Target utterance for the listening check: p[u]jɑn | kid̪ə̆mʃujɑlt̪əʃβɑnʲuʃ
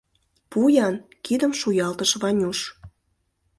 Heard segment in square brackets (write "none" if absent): u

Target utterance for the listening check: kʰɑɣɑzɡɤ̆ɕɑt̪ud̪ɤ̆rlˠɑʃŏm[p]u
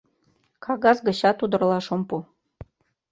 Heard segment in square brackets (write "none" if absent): p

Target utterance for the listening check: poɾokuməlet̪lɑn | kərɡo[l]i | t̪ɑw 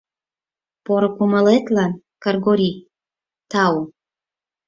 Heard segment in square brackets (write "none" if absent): ɾ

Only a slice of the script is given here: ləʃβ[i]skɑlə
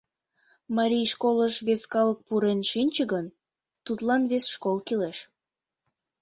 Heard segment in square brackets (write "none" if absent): e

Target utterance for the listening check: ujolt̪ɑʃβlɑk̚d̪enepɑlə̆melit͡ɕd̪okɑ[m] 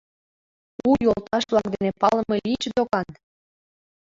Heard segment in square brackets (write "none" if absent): n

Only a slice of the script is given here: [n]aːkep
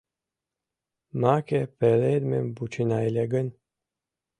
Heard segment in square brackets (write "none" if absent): m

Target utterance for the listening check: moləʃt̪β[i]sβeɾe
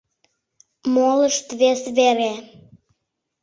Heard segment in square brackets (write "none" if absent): e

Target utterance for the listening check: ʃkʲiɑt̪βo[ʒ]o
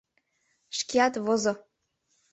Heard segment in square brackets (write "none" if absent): z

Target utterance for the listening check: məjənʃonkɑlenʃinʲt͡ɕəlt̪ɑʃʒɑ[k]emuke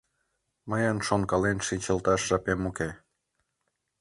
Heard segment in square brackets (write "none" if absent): p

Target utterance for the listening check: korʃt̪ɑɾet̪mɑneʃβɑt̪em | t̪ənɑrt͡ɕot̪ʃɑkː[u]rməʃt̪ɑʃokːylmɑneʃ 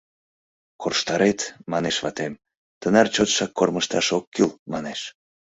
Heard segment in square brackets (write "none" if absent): o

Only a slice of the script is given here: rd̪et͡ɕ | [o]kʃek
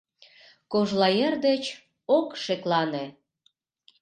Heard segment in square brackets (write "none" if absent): o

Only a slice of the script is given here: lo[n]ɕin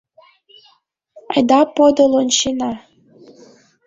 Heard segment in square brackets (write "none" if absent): n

